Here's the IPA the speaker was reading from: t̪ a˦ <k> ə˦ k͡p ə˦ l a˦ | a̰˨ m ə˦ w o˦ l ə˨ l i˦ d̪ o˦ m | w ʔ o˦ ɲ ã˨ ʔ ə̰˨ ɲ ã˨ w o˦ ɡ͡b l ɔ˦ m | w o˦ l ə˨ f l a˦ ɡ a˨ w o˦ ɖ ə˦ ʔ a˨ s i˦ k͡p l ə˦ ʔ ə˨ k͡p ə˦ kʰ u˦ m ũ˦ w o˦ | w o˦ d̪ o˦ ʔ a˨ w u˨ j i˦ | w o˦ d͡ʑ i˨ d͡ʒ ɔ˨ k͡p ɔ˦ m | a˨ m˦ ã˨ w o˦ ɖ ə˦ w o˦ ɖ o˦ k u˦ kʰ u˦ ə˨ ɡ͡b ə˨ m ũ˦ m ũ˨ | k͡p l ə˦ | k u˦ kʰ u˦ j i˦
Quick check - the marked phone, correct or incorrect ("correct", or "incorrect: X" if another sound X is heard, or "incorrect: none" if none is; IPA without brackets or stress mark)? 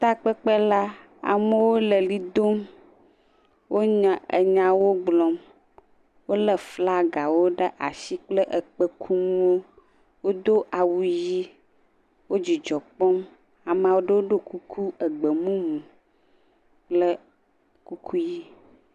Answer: incorrect: k͡p